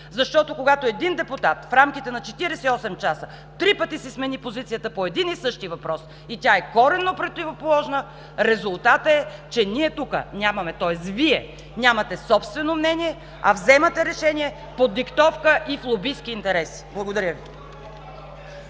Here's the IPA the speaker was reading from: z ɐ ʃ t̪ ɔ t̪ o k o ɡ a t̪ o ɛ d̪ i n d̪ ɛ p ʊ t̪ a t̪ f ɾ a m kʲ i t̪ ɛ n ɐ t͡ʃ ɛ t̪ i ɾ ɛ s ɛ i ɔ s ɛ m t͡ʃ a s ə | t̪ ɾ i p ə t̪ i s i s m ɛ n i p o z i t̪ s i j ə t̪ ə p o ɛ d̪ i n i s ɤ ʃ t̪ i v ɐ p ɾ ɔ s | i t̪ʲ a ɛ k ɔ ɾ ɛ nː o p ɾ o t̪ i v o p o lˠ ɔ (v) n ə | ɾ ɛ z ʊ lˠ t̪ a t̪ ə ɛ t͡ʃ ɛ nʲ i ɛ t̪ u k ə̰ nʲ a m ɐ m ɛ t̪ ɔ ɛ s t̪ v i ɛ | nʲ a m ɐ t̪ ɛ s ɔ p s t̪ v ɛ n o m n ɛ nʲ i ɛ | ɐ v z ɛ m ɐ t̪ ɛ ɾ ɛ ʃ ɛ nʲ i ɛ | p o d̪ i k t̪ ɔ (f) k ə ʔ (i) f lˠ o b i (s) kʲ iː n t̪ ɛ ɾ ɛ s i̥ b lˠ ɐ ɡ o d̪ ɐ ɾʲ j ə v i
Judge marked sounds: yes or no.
no, yes, yes, yes

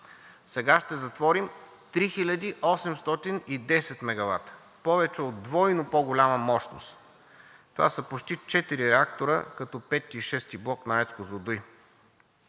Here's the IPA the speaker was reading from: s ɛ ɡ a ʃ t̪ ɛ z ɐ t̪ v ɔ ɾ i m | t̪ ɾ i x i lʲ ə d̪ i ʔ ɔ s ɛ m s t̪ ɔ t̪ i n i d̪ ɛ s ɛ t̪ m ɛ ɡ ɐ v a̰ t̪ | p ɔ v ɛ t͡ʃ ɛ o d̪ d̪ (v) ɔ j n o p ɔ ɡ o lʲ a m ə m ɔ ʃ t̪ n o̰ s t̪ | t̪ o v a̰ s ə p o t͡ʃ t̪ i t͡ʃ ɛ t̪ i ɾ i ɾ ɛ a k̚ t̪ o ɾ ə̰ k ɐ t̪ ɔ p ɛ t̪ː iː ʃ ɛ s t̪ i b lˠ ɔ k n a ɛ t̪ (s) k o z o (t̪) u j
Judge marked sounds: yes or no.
yes, yes, no

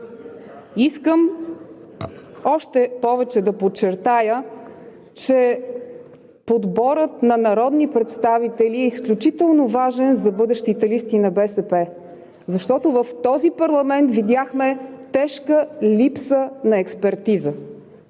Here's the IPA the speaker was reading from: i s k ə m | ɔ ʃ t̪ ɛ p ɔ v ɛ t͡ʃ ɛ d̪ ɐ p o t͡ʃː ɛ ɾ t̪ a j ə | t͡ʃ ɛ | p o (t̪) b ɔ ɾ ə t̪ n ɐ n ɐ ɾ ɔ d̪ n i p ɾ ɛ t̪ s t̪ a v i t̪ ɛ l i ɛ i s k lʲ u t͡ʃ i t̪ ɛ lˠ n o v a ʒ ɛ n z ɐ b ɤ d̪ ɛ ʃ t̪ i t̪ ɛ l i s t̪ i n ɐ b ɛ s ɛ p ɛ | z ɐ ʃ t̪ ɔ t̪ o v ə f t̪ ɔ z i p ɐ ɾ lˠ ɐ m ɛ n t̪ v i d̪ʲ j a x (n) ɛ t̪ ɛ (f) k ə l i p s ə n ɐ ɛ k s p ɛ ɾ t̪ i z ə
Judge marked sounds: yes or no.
no, no, no

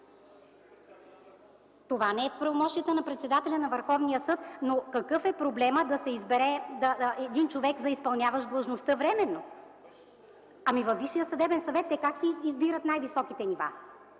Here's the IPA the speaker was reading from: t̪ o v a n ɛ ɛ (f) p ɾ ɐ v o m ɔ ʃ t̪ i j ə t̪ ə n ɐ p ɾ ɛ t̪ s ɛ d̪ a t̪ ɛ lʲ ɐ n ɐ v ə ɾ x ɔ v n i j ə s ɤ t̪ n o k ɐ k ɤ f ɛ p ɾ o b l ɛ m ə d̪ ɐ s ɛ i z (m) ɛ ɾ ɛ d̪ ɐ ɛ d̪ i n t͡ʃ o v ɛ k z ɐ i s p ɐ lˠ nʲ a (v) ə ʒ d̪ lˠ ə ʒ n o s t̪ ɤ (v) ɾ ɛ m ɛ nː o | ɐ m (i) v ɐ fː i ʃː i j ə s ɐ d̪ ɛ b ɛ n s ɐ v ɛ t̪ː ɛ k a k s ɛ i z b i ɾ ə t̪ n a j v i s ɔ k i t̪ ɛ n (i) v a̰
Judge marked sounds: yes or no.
yes, no, yes, yes, yes, yes

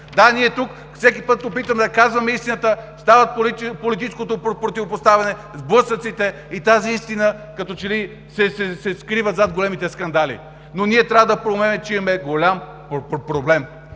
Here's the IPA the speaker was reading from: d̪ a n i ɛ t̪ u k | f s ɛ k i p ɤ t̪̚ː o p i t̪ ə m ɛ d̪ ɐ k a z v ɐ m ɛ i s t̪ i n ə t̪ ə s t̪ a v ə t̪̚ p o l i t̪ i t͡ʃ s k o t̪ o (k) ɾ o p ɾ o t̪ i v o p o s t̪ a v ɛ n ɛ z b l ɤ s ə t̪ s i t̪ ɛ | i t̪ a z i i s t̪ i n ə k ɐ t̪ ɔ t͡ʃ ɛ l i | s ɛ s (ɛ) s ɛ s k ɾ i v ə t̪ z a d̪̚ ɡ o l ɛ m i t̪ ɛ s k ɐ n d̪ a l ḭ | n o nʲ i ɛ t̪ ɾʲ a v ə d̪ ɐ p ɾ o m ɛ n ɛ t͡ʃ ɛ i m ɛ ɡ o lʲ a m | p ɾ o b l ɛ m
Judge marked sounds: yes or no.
no, yes

